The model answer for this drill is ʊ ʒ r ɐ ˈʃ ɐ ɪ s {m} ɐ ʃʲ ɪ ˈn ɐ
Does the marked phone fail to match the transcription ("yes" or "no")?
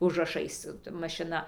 no